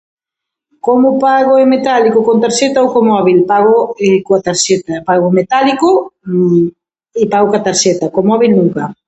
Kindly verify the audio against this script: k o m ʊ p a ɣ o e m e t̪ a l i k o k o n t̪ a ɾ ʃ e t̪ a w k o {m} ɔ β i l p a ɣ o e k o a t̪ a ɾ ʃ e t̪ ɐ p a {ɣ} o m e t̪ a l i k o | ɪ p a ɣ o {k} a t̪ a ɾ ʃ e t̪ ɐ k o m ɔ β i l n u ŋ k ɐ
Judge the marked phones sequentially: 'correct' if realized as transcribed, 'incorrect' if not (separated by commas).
correct, correct, correct